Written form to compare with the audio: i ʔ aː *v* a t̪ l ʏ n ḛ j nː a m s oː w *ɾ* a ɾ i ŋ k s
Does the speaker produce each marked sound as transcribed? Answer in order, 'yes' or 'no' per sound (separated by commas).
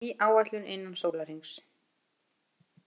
no, no